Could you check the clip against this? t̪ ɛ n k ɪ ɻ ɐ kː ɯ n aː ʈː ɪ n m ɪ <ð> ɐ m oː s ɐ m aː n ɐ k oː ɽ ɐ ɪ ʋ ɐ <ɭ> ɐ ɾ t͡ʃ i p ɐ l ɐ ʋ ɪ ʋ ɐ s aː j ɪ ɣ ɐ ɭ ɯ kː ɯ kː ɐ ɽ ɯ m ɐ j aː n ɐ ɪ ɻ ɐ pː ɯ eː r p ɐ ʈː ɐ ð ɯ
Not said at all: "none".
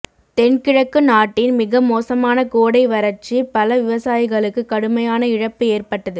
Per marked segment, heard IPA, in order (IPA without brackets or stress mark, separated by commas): ɣ, ɾ